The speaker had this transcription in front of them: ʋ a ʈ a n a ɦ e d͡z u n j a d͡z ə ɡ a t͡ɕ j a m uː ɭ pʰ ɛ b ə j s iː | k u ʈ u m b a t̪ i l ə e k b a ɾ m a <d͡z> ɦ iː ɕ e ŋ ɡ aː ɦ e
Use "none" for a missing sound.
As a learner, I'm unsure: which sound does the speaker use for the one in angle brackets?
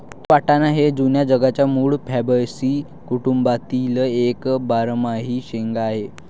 none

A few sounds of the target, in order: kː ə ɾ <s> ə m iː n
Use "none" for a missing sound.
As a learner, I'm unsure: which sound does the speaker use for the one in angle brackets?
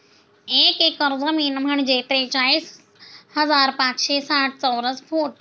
z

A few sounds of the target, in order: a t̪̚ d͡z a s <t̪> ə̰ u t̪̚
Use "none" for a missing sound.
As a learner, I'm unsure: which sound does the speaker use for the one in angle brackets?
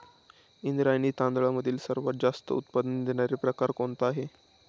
t̪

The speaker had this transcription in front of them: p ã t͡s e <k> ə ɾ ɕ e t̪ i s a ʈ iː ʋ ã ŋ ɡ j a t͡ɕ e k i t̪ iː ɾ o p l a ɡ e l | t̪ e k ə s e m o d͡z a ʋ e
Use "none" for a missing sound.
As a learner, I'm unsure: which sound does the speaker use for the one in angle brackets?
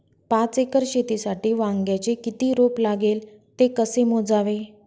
k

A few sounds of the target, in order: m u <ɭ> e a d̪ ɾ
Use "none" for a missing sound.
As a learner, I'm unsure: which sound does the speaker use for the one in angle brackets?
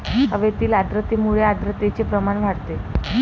ɭ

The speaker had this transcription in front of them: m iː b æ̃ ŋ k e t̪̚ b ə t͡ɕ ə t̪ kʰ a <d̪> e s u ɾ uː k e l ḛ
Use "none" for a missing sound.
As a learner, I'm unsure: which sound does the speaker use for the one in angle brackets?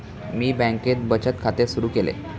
t̪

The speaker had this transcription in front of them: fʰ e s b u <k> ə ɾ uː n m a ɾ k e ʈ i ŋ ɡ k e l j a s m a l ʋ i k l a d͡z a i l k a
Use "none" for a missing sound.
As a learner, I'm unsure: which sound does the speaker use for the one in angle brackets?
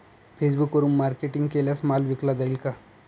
k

